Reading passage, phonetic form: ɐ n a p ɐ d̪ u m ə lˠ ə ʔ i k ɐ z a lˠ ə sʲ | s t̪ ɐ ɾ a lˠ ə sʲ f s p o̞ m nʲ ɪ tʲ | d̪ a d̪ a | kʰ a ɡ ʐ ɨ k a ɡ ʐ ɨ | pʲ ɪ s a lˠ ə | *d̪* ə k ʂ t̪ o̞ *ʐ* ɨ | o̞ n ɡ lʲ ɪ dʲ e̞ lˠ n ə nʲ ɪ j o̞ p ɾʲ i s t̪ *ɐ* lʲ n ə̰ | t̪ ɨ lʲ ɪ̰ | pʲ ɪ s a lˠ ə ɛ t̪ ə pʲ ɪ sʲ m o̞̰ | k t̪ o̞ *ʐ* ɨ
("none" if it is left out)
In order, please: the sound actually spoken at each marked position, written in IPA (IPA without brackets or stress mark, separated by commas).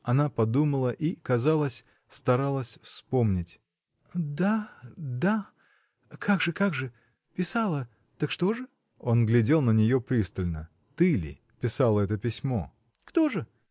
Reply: t̪, ʐ, ə, ʐ